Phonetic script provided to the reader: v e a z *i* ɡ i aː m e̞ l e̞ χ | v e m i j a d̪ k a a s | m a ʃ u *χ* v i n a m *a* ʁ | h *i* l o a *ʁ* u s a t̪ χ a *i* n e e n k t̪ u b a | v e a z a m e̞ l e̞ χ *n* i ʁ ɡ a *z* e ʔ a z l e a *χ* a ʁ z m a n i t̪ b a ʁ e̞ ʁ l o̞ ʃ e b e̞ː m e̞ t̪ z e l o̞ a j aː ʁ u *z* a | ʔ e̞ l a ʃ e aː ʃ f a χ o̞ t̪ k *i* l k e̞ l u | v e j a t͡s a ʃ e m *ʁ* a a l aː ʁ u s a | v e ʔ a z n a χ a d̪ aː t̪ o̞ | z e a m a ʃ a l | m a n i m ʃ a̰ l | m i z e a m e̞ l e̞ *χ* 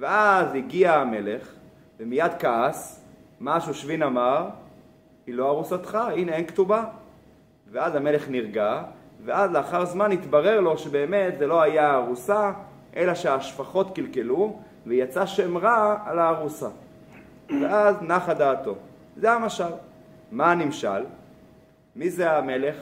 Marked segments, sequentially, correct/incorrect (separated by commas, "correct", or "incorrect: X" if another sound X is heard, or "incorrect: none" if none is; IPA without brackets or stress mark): correct, incorrect: ʃ, correct, correct, correct, correct, correct, incorrect: v, correct, incorrect: s, correct, correct, correct